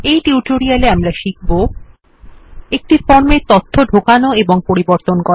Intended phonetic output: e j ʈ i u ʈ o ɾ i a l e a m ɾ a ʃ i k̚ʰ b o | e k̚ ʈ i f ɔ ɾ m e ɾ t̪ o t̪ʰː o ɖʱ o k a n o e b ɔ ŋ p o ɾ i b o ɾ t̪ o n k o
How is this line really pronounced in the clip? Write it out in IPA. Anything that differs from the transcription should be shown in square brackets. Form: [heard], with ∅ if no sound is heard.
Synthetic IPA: e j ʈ i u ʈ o ɾ i a l e a m ɾ a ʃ i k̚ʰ b o | e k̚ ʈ i f ɔ ɾ m e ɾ t̪ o t̪ʰː o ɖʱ o k a n o e b [o] ŋ p o ɾ i b o ɾ t̪ o n k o